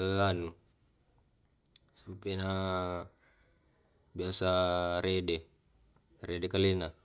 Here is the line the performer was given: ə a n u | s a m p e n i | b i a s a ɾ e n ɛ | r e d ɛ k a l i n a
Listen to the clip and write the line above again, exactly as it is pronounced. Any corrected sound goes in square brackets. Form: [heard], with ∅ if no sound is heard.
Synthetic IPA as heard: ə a n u | s a m p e n [a] | b i a s a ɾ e [d] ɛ | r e d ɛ k a l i n a

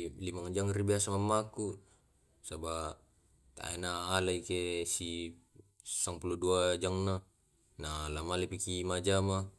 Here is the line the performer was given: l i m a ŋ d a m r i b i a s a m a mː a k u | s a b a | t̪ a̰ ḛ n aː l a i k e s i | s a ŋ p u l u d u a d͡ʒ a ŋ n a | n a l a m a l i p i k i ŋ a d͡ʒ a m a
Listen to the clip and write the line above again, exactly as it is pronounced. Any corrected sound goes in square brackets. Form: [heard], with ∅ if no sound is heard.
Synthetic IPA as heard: l i m a ŋ [d͡ʒ] a [ŋ] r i b i a s a m a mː a k u | s a b a | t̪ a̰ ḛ n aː l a i k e s i | s a ŋ p u l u d u a d͡ʒ a ŋ n a | n a l a m a l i p i k i [m] a d͡ʒ a m a

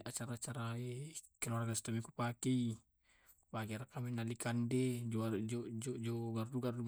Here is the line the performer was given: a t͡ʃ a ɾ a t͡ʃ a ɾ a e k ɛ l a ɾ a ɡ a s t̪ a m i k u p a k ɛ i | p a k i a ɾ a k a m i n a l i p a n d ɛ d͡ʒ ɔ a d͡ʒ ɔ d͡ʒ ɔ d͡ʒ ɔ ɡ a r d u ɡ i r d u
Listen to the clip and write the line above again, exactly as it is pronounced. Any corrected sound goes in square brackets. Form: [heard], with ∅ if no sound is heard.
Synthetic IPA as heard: a t͡ʃ a ɾ a t͡ʃ a ɾ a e k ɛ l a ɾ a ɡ a s t̪ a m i k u p a k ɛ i | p a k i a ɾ a k a m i n a l i [k] a n d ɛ d͡ʒ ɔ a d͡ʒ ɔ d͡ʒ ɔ d͡ʒ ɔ ɡ a r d u ɡ [a] r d u

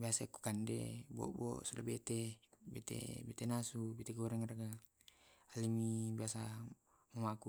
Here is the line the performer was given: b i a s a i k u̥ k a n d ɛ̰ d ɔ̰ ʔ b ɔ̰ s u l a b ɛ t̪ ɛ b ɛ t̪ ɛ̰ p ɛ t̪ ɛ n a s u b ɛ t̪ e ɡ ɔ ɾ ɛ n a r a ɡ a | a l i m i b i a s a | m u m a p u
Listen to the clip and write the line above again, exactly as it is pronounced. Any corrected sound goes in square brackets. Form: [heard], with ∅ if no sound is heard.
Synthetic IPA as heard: b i a s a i k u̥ k a n d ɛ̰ [b] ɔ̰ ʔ b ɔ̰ s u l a b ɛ t̪ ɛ b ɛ t̪ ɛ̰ [b] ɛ t̪ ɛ n a s u b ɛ t̪ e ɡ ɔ ɾ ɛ [ŋ] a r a ɡ a | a l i m i b i a s a | m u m a [k] u

